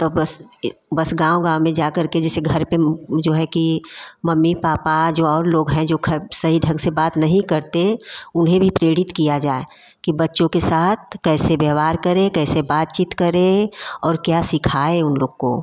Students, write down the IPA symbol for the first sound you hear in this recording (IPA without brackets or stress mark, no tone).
t̪